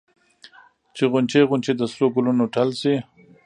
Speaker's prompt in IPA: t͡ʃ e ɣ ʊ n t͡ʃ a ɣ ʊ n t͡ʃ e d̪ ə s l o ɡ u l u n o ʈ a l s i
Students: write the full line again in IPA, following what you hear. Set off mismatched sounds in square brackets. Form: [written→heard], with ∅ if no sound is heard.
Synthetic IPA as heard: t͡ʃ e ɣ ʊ n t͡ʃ [a→e] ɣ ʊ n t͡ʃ e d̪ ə s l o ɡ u l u n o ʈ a l s i